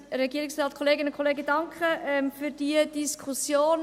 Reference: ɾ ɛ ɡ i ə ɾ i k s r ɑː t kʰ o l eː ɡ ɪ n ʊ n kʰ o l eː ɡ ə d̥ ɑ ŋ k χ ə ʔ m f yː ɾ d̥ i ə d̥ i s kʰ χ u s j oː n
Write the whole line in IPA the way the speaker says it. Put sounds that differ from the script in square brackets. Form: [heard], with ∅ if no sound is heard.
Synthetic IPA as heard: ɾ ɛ ɡ i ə ɾ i k s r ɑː t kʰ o l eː ɡ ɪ n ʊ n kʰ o l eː ɡ ə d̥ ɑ ŋ k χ ə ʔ m f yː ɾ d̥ i ə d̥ i s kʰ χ u s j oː n